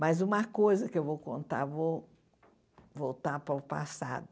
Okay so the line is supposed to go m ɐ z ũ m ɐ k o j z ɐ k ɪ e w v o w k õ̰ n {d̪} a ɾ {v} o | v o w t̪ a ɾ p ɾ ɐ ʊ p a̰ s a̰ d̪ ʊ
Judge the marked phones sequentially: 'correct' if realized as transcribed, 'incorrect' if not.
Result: incorrect: t̪, correct

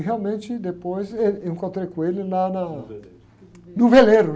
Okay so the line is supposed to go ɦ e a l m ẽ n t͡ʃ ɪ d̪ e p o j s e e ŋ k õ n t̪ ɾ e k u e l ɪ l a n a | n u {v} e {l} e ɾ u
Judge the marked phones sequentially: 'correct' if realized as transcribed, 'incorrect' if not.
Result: correct, correct

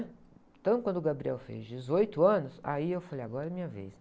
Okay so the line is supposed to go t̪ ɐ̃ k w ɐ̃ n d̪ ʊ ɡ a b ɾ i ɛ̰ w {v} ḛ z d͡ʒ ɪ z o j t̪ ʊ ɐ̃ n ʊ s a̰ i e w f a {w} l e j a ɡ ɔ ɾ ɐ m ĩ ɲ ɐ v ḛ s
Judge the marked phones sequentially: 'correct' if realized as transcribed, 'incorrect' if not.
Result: incorrect: f, incorrect: none

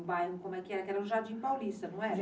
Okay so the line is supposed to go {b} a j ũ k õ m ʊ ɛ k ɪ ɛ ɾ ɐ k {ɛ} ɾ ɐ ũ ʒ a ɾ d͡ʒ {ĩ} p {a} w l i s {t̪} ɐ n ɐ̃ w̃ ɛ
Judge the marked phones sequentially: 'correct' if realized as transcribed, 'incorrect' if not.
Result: correct, correct, correct, correct, correct

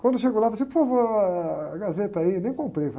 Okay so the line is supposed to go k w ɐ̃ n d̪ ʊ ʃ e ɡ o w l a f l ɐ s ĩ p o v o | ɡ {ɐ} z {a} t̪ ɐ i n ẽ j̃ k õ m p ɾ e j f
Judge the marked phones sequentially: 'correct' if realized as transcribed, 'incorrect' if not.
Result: incorrect: a, incorrect: e

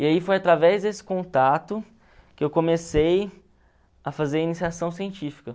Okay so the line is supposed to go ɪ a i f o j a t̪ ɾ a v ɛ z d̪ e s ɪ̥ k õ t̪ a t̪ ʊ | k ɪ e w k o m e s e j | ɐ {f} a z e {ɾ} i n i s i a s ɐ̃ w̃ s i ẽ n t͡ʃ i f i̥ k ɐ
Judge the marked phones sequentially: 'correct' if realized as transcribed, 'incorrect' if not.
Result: correct, correct

